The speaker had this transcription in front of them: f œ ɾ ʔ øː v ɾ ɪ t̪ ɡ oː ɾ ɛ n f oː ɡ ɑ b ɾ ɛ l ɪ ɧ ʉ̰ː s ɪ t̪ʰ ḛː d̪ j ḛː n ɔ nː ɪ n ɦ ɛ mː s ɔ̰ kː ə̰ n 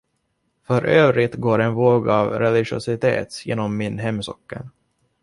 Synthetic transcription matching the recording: f œ ɾ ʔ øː v ɾ ɪ t̪ ɡ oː ɾ ɛ n v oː ɡ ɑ v ɾ ɛ l ɪ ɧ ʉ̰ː s ɪ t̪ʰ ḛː t̪ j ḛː n ɔ mː ɪ n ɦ ɛ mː s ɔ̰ kː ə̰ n